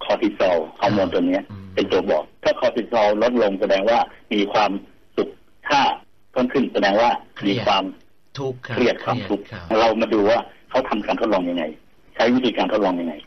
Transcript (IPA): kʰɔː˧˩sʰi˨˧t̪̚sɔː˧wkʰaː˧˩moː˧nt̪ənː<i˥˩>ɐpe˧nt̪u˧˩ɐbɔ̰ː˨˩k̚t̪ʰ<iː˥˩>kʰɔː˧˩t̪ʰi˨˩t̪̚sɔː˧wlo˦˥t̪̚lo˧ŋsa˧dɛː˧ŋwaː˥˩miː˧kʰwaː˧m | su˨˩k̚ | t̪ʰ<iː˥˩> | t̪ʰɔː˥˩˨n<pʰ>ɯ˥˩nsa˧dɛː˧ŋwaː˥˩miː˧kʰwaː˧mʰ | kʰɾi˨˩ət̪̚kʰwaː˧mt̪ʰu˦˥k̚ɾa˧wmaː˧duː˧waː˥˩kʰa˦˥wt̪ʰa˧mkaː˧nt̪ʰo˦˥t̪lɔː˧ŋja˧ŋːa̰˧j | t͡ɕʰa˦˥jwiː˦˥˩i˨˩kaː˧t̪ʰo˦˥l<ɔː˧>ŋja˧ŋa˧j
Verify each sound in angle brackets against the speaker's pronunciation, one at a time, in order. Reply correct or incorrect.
incorrect: i˦˥, incorrect: aː˥˩, incorrect: aː˥˩, incorrect: kʰ, correct

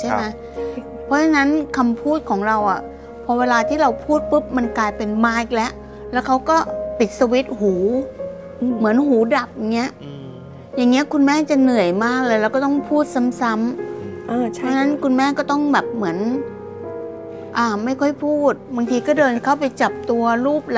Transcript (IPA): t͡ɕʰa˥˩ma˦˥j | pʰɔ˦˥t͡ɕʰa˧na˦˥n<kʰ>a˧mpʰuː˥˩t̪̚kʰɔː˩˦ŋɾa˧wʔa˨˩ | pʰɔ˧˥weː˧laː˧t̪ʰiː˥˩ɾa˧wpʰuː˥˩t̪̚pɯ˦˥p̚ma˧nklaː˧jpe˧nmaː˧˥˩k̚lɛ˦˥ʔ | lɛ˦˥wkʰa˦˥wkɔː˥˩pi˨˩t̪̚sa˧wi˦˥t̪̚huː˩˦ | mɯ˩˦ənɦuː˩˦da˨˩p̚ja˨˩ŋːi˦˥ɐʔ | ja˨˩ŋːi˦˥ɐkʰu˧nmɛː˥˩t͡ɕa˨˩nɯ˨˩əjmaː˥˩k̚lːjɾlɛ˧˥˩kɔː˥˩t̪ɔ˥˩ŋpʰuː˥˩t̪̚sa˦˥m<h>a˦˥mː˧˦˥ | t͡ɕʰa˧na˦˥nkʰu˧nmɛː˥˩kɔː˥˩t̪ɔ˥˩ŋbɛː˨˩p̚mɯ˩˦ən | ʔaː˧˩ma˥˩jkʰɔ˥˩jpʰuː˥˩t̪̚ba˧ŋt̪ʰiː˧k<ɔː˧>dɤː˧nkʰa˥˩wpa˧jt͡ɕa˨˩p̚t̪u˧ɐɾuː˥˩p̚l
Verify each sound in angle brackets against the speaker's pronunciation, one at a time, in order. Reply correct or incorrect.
correct, incorrect: s, incorrect: ɔː˥˩

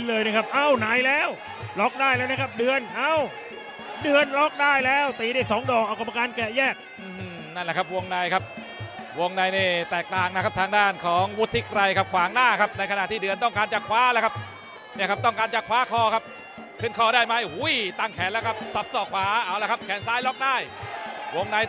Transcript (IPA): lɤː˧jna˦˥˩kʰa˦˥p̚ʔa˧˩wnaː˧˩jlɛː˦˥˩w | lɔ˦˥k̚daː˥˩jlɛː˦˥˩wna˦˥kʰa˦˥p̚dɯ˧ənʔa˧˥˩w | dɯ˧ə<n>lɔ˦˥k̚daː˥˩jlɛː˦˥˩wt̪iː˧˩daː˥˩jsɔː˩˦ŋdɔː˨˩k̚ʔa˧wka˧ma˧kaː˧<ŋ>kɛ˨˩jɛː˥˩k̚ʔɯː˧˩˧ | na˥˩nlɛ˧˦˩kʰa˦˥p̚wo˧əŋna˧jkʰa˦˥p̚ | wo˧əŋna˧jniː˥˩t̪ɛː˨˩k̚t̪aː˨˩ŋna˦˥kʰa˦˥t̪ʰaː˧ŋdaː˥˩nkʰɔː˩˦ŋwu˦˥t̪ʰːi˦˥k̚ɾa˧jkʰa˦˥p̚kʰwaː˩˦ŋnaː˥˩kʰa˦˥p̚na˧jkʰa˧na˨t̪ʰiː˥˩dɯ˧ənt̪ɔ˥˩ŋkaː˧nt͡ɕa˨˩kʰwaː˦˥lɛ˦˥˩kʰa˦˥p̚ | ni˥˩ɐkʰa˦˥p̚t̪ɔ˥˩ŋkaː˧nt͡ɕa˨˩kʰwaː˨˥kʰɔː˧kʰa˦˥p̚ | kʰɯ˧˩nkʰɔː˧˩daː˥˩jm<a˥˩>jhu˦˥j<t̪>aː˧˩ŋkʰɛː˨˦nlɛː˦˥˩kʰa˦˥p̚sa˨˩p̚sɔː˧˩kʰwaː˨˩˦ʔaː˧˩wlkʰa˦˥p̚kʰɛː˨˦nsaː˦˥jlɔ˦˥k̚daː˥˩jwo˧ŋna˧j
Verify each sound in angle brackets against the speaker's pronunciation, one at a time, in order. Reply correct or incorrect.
correct, incorrect: n, incorrect: a˦˥, correct

